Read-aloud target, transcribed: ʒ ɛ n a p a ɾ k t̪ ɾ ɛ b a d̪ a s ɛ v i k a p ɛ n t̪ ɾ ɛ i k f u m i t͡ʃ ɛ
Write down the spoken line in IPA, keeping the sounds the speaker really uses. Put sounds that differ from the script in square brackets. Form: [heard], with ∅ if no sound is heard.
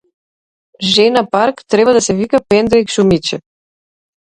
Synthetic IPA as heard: ʒ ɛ n a p a ɾ k t̪ ɾ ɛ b a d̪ a s ɛ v i k a p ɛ n [d̪] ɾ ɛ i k [ʃ] u m i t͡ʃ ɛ